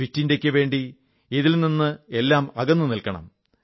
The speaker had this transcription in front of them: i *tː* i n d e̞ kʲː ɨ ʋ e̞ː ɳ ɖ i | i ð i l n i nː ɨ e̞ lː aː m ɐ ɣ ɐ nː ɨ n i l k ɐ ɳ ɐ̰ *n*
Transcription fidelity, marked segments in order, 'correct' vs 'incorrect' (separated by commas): correct, incorrect